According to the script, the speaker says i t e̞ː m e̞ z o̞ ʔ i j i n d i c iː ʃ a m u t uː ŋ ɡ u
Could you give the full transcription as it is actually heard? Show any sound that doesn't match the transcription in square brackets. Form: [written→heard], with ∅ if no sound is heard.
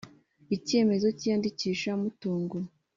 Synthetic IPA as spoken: i [t→c] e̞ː m e̞ z o̞ [ʔ→c] i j [i→a] n d i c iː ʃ a m u t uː ŋ ɡ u